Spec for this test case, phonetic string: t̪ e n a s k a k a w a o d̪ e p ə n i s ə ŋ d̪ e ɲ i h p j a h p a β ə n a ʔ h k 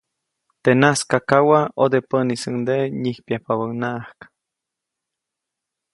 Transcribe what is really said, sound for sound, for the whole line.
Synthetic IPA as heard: t̪ e n a s k a k a w a o d̪ e p ə n i s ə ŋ d̪ e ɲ i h p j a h p a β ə n a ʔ h k